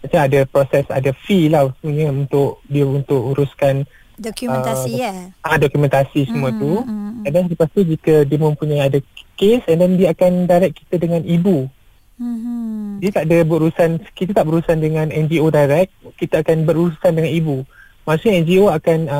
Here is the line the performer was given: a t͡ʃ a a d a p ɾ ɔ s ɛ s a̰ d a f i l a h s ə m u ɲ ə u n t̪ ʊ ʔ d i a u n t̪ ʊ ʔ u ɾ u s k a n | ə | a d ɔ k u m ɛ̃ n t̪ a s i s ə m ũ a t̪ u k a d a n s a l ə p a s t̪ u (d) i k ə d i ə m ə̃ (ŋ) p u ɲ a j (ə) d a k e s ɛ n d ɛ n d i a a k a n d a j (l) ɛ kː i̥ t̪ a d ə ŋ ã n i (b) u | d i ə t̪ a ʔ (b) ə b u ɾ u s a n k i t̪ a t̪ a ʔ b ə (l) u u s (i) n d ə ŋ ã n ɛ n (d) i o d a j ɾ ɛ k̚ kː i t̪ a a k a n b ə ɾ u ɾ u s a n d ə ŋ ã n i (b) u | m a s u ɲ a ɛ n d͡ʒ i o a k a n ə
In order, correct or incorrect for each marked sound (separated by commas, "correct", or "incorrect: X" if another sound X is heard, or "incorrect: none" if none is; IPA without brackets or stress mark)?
incorrect: d͡ʒ, incorrect: m, incorrect: a, incorrect: ɾ, correct, incorrect: d, incorrect: ɾ, incorrect: a, incorrect: d͡ʒ, correct